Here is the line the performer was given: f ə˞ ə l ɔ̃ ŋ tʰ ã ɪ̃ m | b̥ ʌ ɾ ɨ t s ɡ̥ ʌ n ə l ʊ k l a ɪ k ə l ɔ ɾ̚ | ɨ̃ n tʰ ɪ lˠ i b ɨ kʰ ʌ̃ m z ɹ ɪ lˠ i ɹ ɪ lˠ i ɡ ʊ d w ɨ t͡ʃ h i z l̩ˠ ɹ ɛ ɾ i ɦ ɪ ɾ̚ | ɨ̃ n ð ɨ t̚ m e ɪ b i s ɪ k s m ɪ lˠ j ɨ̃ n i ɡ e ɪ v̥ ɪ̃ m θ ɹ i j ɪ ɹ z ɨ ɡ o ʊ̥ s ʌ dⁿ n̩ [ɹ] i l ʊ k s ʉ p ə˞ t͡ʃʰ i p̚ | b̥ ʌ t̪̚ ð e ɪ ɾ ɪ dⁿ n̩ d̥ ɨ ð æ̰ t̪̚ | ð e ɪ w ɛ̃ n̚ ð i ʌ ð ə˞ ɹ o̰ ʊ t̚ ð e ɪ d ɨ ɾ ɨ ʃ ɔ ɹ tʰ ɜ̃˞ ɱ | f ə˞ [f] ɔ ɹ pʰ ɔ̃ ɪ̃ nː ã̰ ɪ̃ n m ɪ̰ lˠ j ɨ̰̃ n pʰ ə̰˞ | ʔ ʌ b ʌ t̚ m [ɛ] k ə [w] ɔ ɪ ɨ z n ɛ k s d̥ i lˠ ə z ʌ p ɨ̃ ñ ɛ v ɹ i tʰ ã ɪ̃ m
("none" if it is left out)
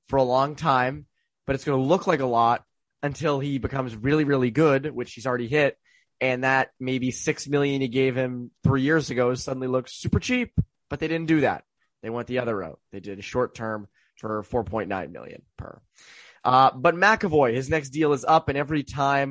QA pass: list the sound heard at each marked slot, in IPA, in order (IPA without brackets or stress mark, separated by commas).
l, f, æ, v